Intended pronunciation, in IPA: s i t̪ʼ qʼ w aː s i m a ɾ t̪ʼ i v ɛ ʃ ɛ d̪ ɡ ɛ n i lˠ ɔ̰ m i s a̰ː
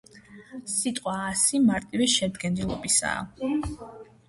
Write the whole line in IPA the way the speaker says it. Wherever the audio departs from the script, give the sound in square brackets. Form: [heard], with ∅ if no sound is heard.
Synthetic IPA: s i t̪ʼ qʼ w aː s i m a ɾ t̪ʼ i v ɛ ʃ ɛ d̪ ɡ ɛ n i lˠ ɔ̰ [b] i s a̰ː